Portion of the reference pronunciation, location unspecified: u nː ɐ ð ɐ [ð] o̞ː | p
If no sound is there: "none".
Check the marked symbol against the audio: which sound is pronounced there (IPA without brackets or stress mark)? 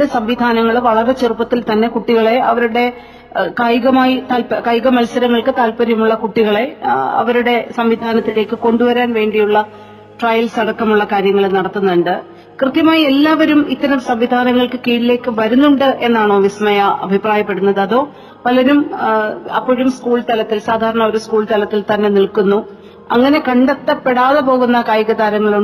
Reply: ð